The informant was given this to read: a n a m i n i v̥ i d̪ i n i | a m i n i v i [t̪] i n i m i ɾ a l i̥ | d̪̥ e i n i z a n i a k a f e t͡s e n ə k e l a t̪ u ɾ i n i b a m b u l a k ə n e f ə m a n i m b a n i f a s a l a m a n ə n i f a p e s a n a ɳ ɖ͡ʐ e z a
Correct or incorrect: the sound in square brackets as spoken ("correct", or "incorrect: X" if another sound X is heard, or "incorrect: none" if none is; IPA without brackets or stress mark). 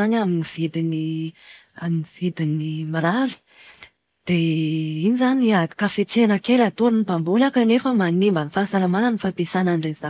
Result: incorrect: d̪